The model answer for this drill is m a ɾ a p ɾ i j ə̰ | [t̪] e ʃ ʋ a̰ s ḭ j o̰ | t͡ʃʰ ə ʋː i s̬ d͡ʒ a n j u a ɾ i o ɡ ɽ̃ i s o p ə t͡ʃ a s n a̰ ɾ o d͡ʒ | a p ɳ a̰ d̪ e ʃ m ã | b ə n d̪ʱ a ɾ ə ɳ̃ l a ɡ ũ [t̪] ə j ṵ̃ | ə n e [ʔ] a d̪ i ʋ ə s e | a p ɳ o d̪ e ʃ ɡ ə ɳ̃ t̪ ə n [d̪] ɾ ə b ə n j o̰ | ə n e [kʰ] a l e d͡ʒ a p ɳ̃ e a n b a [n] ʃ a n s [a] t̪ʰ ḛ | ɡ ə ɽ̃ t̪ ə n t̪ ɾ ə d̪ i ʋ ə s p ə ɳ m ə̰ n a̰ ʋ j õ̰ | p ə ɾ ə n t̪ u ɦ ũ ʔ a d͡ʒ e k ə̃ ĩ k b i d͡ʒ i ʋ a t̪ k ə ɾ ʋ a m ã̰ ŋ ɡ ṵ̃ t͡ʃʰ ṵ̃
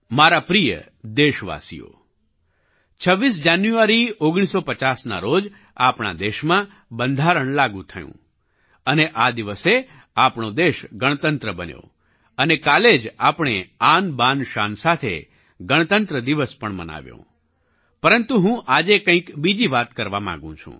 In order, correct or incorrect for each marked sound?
incorrect, incorrect, correct, incorrect, incorrect, correct, correct

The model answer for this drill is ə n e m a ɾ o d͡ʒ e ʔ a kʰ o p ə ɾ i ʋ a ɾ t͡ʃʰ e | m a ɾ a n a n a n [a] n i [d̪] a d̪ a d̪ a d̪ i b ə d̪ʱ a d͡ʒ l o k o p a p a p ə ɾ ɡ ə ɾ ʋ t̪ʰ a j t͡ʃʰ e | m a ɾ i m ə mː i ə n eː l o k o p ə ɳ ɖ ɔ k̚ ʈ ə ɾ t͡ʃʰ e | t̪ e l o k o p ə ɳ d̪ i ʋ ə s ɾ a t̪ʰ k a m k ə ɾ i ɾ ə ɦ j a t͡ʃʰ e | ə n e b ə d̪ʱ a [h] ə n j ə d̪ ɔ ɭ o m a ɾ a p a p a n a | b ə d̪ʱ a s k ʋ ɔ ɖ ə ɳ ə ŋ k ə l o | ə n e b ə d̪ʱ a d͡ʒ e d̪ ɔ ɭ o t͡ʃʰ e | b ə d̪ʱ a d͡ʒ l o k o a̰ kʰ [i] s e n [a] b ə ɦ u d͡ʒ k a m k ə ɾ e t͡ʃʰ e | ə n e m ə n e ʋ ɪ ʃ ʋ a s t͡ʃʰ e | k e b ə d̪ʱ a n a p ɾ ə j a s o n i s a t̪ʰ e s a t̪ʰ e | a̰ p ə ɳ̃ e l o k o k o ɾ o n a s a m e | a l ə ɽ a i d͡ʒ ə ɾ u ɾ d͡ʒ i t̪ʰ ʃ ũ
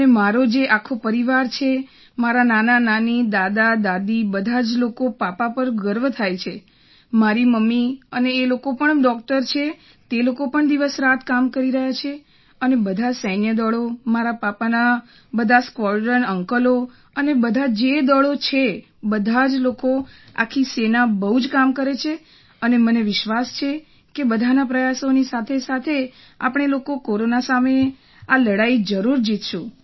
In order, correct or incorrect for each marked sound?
correct, correct, incorrect, correct, correct

